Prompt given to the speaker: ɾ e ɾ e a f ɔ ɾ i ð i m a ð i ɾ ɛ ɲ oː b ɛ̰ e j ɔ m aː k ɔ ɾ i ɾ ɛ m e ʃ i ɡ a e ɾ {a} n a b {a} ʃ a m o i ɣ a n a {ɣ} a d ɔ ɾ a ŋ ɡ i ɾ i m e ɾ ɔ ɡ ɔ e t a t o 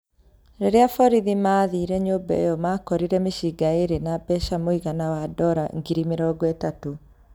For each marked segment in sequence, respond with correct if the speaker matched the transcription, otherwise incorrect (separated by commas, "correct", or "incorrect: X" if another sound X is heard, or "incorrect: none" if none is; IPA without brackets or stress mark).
incorrect: e, incorrect: ɛ, incorrect: w